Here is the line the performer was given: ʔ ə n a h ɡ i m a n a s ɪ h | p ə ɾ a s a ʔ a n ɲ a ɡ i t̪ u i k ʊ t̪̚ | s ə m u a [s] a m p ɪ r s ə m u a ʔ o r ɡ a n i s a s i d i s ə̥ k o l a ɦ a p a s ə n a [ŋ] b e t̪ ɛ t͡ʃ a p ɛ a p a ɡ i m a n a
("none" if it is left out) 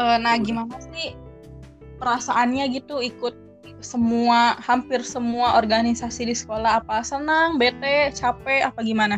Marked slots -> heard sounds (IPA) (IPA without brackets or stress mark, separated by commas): h, ŋ